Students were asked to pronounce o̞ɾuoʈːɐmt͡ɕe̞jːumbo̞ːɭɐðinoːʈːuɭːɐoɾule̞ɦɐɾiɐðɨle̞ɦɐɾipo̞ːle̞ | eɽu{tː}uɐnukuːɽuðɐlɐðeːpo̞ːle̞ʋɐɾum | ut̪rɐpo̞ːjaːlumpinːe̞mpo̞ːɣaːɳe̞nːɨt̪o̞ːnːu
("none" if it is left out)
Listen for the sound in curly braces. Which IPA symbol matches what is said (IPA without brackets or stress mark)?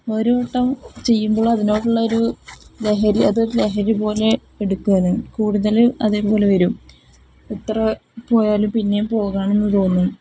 kː